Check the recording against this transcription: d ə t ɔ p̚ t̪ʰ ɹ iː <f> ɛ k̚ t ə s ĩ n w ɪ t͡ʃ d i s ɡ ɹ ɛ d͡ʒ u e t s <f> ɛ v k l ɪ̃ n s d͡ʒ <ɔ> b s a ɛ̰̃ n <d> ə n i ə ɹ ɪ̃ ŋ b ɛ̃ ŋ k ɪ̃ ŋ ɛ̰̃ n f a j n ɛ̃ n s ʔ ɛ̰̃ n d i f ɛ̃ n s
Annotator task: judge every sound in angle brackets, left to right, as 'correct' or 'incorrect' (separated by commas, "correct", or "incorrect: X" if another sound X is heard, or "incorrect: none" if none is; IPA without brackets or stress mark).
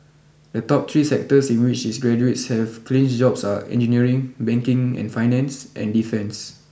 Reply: incorrect: s, incorrect: h, correct, incorrect: d͡ʒ